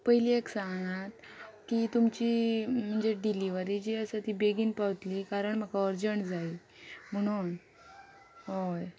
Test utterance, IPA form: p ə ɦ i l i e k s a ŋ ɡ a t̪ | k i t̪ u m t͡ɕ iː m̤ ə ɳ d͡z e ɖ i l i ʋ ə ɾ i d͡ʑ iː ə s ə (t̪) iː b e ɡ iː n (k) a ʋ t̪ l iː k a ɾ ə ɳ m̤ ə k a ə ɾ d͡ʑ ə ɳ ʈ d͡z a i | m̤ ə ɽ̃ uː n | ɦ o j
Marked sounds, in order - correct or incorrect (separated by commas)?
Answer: correct, incorrect